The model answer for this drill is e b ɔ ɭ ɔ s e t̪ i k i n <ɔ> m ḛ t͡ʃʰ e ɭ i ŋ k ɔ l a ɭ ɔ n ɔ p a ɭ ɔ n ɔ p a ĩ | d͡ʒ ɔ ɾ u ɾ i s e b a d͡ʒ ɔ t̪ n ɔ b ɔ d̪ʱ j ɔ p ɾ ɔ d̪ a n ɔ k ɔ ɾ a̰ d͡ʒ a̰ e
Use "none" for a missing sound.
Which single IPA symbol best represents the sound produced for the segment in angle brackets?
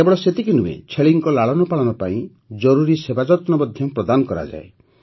u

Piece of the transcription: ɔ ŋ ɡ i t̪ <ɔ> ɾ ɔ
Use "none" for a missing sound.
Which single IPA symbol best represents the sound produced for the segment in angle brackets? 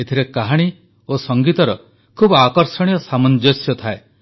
ɔ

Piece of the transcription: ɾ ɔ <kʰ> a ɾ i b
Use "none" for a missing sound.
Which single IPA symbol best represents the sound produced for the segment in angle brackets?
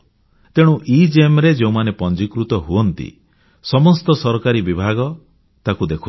k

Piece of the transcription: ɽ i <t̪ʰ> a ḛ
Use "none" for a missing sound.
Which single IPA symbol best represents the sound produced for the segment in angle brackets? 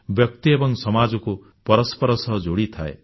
t̪ʰ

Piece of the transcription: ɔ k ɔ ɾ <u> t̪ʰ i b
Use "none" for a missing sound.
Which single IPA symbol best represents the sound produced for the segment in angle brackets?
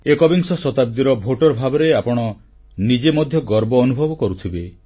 u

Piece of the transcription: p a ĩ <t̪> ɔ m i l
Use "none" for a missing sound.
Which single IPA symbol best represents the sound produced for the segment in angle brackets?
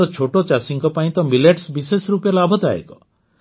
t̪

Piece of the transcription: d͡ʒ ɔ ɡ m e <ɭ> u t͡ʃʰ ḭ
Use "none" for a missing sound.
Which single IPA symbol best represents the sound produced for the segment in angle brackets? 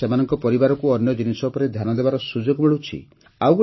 ɭ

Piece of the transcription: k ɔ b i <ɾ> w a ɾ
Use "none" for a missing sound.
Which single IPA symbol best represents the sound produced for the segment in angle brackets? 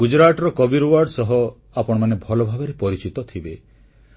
ɾ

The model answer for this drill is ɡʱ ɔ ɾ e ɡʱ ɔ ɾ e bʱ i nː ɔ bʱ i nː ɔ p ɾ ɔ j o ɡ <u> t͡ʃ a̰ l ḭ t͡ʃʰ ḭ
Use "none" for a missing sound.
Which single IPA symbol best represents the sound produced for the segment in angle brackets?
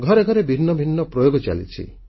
ɔ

